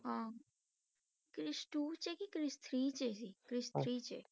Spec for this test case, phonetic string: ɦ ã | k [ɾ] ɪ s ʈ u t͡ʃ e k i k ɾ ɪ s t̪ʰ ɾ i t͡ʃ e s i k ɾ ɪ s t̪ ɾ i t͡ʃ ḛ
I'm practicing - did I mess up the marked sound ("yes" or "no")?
no